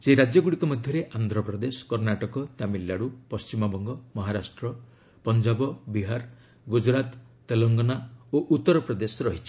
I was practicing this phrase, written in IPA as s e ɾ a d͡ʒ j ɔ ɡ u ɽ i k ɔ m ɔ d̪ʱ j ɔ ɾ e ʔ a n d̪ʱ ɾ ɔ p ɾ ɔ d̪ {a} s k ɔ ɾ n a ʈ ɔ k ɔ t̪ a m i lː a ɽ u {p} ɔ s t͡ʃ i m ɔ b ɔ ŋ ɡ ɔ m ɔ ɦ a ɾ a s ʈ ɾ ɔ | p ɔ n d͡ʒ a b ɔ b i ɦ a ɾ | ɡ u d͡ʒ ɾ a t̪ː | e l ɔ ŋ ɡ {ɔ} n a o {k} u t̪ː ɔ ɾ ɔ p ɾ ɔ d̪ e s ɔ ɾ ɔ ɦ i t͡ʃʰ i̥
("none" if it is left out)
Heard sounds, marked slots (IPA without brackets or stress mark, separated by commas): e, p, ɔ, ʔ